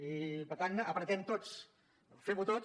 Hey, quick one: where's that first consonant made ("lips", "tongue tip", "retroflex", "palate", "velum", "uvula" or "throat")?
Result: lips